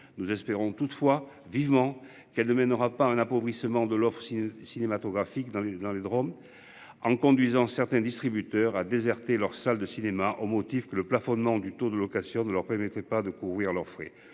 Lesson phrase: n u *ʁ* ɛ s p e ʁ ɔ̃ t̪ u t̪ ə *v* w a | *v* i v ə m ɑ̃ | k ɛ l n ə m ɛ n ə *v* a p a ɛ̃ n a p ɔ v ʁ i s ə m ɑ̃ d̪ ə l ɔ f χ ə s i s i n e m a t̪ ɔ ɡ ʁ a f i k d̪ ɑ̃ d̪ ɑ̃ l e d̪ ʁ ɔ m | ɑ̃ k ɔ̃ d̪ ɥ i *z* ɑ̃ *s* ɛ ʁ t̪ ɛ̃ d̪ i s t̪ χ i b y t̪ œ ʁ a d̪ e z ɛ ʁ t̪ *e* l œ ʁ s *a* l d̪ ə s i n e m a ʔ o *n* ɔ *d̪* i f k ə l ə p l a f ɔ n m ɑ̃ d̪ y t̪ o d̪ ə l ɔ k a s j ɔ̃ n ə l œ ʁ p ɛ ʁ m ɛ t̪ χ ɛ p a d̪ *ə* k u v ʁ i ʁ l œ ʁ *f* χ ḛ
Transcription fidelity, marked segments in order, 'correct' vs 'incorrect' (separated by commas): incorrect, incorrect, correct, incorrect, correct, correct, correct, correct, incorrect, incorrect, correct, correct